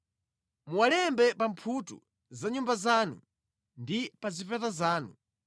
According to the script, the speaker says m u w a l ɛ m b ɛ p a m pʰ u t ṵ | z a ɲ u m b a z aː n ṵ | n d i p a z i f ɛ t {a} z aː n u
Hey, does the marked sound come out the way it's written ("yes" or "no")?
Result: yes